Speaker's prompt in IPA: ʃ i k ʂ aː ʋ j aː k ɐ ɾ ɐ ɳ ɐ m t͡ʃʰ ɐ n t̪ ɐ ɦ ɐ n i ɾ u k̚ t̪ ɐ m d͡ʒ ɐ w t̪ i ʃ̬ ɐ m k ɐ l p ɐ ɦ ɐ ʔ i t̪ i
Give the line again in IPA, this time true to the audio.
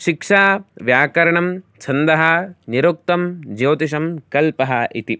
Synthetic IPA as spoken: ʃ i k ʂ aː ʋ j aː k ɐ ɾ ɐ ɳ ɐ m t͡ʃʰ ɐ n d̪ ɐ ɦ ɐ n i ɾ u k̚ t̪ ɐ m d͡ʒ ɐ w t̪ i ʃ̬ ɐ m k ɐ l p ɐ ɦ ɐ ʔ i t̪ i